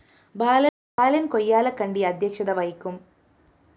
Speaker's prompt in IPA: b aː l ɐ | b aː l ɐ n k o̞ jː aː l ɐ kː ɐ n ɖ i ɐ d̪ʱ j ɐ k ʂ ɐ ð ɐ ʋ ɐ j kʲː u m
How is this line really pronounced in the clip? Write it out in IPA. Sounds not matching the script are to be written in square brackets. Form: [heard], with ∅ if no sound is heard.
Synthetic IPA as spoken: b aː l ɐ | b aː l ɐ n k o̞ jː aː l ɐ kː ɐ [ɳ] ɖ i ɐ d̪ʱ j ɐ k ʂ ɐ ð ɐ ʋ ɐ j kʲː u m